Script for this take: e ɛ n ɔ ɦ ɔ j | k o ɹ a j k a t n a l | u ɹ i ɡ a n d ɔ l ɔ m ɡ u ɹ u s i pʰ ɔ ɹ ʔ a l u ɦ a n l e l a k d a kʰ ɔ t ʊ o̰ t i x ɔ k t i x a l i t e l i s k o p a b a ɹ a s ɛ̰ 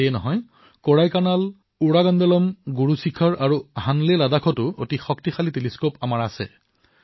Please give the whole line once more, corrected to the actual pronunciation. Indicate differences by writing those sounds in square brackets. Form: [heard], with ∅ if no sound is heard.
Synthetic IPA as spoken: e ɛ n ɔ ɦ ɔ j | k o ɹ a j k a [∅] n a l | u ɹ [a] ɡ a n d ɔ l ɔ m ɡ u ɹ u s i [kʰ] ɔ ɹ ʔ a [ɹ] u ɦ a n l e l a [∅] d a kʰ ɔ t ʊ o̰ t i x ɔ k t i x a l i t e l i s k o p a [m] a ɹ a s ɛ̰

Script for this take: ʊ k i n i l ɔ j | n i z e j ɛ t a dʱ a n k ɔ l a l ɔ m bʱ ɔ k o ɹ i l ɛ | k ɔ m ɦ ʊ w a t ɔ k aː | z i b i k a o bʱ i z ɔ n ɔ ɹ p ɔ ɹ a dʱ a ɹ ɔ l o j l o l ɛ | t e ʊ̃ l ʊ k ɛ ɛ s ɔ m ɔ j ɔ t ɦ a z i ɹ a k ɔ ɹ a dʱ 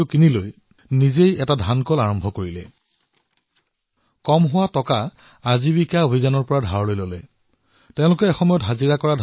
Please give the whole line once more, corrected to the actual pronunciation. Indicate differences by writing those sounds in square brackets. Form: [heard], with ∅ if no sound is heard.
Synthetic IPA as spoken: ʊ k i n i l [o] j | n i z e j ɛ t a dʱ a n k ɔ l a [ɹ] ɔ m bʱ ɔ k o ɹ i l ɛ | k ɔ m ɦ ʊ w a t ɔ k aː | z i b i k a o bʱ i z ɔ n ɔ ɹ p ɔ ɹ a dʱ a ɹ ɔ l o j l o l ɛ | t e ʊ̃ l ʊ k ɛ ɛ [x] ɔ m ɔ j ɔ t ɦ a z i ɹ a k ɔ ɹ a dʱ

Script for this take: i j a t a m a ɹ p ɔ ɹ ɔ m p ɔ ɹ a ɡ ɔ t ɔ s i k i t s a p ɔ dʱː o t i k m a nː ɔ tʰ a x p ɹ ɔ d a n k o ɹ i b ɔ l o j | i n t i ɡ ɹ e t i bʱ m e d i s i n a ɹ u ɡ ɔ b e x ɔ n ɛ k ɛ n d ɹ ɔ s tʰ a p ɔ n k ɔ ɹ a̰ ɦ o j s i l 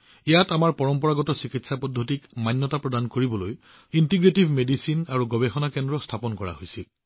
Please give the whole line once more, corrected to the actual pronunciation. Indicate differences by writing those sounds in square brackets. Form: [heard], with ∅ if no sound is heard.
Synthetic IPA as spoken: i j a t a m a ɹ p ɔ ɹ ɔ m p ɔ ɹ a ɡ ɔ t ɔ s i k i t s a p ɔ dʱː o t i k m a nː ɔ [t] a [∅] p ɹ ɔ d a n k o ɹ i b ɔ l o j | i n t i ɡ ɹ e t i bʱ m e d i s i n a ɹ u ɡ ɔ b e x ɔ n [a] k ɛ n d ɹ ɔ s tʰ a p ɔ n k ɔ ɹ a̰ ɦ o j s i l

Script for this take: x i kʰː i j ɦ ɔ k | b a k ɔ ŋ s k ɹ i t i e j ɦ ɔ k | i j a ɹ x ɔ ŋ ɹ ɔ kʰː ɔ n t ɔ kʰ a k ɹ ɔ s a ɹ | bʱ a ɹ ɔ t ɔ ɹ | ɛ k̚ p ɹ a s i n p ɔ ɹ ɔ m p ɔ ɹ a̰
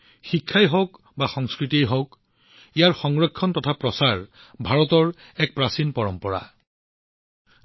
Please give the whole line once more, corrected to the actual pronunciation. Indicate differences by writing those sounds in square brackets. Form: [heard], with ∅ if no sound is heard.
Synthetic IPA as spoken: x i kʰː [a] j ɦ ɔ k | b a [x] ɔ ŋ s k ɹ i t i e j ɦ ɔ k | i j a ɹ x ɔ ŋ ɹ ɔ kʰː ɔ n t ɔ [tʰ] a [p] ɹ ɔ s a ɹ | bʱ a ɹ ɔ t ɔ ɹ | ɛ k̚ p ɹ a s i n p ɔ ɹ ɔ m p ɔ ɹ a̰

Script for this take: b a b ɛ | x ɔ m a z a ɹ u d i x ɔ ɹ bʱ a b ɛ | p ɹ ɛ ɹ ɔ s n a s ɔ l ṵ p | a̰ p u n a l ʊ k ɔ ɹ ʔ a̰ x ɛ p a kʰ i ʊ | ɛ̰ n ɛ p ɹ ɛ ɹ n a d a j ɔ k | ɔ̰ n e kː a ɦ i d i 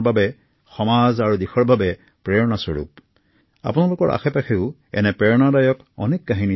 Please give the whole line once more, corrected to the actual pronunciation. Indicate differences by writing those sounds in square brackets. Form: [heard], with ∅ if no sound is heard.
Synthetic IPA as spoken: b a b ɛ | x ɔ m a z a ɹ u d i x ɔ ɹ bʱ a b ɛ | p ɹ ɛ ɹ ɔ [∅] n a s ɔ [ɹ] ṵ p | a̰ p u n a l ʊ k ɔ ɹ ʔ a̰ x ɛ p a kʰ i ʊ | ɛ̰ n ɛ p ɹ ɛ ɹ n a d a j ɔ k | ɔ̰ n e kː a ɦ i [n] i

